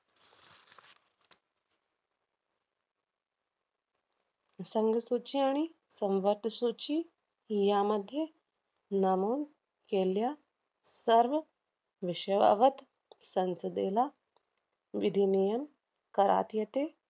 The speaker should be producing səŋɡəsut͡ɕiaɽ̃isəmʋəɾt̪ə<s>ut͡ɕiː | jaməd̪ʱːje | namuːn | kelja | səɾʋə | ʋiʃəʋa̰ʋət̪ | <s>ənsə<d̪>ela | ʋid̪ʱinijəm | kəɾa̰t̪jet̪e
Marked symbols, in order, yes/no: yes, yes, yes

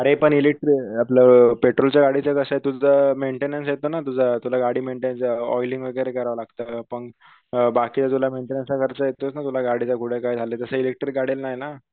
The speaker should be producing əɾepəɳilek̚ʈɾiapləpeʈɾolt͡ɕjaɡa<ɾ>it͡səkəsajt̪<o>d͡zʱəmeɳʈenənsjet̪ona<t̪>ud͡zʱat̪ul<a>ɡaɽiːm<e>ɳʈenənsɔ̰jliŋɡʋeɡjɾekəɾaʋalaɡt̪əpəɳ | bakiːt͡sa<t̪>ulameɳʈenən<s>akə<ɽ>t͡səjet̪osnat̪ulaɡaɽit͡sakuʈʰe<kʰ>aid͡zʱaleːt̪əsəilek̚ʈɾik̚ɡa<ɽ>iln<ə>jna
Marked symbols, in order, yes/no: no, no, yes, yes, yes, yes, yes, no, no, yes, no

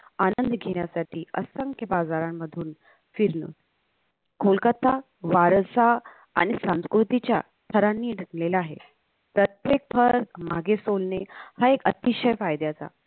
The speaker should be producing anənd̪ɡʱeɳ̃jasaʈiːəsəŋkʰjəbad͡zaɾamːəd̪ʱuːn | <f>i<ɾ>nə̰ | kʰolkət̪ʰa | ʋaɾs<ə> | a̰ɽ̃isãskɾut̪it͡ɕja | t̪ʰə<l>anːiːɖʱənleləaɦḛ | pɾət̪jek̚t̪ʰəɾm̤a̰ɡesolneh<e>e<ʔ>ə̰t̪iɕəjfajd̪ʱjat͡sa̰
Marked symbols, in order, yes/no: yes, yes, no, no, no, no

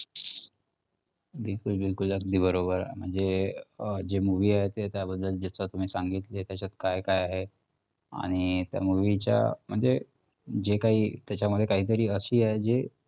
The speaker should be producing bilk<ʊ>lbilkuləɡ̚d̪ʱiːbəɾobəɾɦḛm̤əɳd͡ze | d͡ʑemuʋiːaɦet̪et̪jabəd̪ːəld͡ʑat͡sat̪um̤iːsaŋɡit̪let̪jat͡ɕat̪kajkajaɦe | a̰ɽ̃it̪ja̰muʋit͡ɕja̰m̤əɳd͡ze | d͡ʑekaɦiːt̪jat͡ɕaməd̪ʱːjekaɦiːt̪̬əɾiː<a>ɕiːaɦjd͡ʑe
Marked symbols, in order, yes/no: no, no

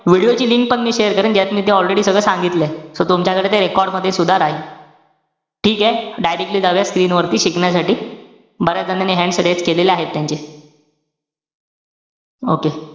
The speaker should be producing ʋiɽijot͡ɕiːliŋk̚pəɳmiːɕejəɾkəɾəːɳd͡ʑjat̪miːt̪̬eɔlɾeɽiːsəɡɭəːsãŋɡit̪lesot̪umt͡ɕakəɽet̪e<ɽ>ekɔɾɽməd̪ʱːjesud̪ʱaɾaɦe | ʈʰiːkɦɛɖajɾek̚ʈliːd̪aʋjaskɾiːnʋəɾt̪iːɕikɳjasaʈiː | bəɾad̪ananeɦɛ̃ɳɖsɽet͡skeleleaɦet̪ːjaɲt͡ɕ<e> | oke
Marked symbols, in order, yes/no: no, yes

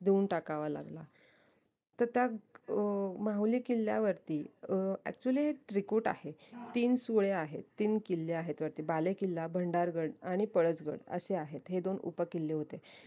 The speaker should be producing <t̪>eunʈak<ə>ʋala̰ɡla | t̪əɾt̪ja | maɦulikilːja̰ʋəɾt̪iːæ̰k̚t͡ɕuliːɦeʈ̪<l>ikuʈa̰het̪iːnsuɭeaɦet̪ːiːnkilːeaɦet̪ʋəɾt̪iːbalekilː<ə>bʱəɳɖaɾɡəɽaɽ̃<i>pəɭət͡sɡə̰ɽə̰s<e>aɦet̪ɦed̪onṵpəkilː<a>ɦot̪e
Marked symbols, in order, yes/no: no, no, no, no, yes, yes, no

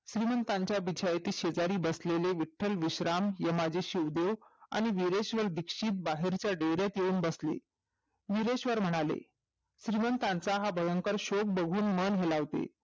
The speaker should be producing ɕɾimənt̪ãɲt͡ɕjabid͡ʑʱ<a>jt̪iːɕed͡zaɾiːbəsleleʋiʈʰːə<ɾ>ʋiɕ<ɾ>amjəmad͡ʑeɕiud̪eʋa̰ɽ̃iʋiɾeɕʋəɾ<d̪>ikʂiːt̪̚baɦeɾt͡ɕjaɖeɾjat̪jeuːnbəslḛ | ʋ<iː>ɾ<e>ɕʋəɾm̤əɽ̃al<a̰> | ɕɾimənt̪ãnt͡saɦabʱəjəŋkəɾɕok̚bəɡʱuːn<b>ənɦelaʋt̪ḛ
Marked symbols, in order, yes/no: yes, no, yes, yes, no, yes, no, no

